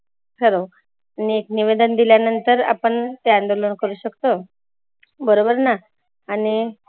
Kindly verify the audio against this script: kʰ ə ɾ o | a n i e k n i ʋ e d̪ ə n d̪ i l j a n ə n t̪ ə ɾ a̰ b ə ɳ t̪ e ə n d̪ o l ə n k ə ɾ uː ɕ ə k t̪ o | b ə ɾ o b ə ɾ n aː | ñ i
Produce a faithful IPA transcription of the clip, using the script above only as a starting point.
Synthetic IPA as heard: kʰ ə ɾ o | a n i e k n i ʋ e d̪ ə n d̪ i l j a n ə n t̪ ə ɾ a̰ p ə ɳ t̪ e a n d̪ o l ə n k ə ɾ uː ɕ ə k t̪ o | b ə ɾ o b ə ɾ n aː | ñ i